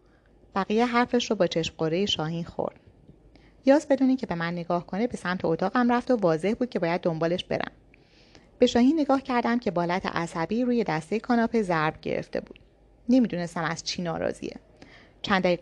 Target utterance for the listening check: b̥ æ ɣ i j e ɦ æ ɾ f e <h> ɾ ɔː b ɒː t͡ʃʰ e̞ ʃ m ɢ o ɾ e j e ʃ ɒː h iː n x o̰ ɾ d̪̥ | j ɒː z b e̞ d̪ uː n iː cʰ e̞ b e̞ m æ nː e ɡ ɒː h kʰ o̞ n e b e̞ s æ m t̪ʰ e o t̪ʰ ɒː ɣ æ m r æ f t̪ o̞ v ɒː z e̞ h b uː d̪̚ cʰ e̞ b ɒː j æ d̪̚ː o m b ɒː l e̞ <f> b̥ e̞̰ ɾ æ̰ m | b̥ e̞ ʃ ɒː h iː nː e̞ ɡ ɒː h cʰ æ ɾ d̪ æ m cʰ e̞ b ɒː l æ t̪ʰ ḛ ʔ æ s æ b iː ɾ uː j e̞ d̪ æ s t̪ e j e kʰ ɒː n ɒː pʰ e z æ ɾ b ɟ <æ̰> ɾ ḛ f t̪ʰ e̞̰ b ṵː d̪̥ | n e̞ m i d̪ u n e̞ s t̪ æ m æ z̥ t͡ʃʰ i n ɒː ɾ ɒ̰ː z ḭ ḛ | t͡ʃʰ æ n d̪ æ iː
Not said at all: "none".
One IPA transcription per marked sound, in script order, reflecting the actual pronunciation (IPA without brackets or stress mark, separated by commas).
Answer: ʃ, ʃ, ḛ